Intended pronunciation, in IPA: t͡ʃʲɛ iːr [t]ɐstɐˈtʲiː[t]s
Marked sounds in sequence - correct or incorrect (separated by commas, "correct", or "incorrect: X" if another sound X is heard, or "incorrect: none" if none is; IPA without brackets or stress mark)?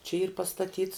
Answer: incorrect: p, correct